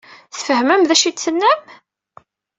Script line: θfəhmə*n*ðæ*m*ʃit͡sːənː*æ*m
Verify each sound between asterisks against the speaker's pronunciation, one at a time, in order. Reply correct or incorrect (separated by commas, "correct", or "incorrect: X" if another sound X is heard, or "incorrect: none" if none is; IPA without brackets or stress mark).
incorrect: m, incorrect: none, correct